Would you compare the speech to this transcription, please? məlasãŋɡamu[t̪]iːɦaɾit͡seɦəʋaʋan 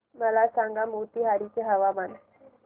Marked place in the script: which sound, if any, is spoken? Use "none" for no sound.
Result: t̪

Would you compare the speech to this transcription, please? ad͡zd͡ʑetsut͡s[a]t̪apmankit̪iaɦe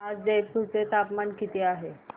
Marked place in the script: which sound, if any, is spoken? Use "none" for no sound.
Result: e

